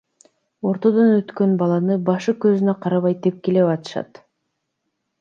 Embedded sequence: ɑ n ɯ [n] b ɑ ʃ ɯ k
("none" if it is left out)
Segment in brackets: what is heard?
none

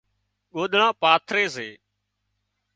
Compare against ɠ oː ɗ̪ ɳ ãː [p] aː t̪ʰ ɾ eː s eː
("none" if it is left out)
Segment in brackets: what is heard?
p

